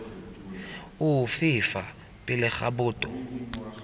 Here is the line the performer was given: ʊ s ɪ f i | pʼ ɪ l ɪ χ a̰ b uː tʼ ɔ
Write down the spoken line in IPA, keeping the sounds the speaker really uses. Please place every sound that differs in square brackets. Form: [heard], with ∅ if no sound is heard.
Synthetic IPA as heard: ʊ [f] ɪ f [a] | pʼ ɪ l ɪ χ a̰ b [ʊː] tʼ ɔ